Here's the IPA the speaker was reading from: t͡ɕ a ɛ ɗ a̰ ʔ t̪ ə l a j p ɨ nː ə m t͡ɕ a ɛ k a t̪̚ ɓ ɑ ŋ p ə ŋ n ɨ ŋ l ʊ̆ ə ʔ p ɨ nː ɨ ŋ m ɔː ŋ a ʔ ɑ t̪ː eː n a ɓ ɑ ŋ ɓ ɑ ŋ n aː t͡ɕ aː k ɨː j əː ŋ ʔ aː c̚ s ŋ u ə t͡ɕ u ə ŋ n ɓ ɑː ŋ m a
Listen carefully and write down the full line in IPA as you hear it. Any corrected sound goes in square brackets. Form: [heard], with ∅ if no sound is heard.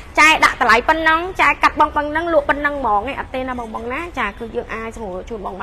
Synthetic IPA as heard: t͡ɕ a ɛ ɗ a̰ ʔ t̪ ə l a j p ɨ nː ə [ŋ] t͡ɕ a ɛ k a t̪̚ ɓ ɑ ŋ p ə ŋ n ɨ ŋ l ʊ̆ ə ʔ p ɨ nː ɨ ŋ m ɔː ŋ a ʔ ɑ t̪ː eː n a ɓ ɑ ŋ ɓ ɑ ŋ n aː t͡ɕ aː k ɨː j əː ŋ ʔ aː c̚ s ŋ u ə t͡ɕ u ə [∅] n ɓ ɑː ŋ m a